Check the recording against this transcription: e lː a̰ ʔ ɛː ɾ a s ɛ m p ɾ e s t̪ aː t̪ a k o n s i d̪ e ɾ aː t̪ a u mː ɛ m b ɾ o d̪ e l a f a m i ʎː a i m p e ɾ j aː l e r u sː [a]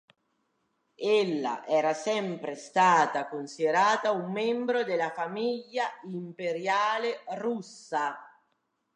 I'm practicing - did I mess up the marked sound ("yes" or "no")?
no